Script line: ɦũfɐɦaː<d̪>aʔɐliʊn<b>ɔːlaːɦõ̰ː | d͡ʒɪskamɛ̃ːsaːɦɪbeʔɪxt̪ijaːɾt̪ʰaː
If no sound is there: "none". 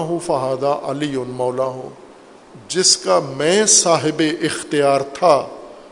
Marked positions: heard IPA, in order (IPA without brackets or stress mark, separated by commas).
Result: d̪, m